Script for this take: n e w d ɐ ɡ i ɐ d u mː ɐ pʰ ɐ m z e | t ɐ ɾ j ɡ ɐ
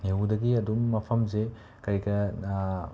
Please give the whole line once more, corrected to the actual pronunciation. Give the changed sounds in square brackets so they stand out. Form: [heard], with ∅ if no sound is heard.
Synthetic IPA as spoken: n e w d ɐ ɡ i ɐ d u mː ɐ pʰ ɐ m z e | [k] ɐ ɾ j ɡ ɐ